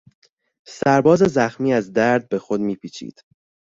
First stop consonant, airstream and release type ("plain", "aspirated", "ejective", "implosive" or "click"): plain